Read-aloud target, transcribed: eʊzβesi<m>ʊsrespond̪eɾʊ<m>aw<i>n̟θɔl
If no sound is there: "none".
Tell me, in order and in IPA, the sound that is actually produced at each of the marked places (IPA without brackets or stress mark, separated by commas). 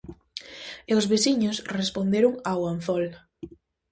ɲ, ŋ, a